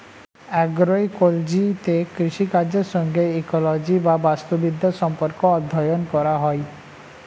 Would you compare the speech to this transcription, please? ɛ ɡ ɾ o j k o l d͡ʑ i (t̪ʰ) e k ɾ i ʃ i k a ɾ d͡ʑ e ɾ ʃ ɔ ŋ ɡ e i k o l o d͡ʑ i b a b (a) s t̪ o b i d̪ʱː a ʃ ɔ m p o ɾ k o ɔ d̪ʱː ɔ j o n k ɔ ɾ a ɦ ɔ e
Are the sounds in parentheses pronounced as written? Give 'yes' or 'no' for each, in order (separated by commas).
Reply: no, yes